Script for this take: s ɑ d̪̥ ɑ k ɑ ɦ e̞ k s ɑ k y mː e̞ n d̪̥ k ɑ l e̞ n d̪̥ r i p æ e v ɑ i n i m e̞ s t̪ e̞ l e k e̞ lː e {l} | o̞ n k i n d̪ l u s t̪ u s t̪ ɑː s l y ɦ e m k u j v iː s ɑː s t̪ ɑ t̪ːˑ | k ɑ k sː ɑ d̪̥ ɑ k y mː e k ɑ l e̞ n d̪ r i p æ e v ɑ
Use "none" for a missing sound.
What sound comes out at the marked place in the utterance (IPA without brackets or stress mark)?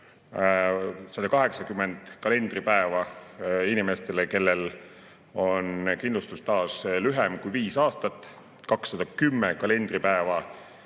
l